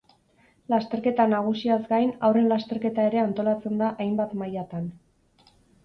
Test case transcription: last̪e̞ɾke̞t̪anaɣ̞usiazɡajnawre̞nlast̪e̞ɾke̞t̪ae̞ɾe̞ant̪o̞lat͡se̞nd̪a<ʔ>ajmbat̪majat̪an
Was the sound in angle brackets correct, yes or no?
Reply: yes